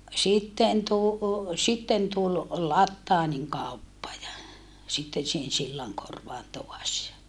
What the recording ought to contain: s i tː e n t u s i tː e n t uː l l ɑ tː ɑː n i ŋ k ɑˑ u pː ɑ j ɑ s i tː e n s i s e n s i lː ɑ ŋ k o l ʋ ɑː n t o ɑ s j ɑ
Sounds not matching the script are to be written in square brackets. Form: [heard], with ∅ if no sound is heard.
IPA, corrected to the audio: s i tː e n t u s i tː e n t [u] l l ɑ tː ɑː n i ŋ k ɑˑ u pː ɑ j ɑ s i tː e n s i [h] e n s i lː ɑ ŋ k o [r] ʋ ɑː n t o ɑ s j ɑ